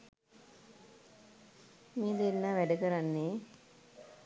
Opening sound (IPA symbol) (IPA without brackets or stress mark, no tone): m